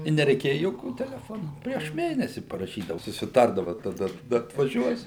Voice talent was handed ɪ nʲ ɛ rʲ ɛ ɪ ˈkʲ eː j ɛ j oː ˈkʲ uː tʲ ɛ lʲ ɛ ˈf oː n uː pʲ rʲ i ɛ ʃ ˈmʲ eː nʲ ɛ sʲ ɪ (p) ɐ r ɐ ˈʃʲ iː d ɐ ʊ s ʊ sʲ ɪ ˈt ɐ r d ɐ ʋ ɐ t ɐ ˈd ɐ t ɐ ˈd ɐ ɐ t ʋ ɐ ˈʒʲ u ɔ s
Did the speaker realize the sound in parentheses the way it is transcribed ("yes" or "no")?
yes